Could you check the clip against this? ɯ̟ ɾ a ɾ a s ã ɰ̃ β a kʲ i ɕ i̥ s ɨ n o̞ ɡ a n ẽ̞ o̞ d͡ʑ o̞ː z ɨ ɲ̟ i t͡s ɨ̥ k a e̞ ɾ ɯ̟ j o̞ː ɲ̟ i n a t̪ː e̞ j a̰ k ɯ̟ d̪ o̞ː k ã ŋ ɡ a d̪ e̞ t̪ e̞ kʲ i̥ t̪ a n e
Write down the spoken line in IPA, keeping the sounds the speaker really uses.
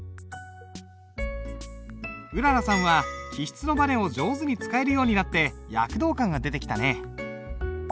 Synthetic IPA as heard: ɯ̟ ɾ a ɾ a s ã ɰ̃ β a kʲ i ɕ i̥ t͡s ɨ n o̞ b a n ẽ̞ o̞ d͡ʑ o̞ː z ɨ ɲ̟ i t͡s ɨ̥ k a e̞ ɾ ɯ̟ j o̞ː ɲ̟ i n a t̪ː e̞ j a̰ k ɯ̟ d̪ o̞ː k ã ŋ ɡ a d̪ e̞ t̪ e̞ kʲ i̥ t̪ a n e